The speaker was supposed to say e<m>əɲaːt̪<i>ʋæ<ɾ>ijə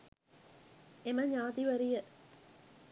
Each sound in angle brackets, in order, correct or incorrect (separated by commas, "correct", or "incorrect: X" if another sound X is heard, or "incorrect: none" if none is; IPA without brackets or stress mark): correct, correct, correct